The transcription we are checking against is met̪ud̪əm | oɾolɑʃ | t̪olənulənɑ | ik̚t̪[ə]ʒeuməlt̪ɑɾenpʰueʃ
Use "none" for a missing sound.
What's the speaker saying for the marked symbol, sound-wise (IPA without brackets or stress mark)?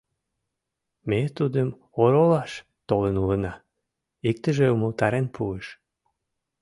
ə